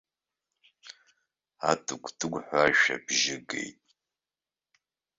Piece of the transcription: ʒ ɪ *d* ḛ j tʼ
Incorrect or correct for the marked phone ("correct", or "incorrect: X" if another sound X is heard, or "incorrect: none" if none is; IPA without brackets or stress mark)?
incorrect: ɡ